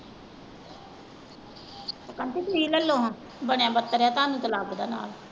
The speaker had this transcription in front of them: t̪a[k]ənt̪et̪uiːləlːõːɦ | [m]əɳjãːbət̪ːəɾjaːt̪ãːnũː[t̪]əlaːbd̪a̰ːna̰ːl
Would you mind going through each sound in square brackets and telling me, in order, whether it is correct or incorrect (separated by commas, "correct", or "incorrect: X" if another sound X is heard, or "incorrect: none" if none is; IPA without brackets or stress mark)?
correct, incorrect: b, correct